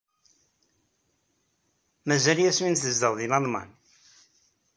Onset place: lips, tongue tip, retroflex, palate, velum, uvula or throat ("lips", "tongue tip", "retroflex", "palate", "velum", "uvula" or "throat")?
lips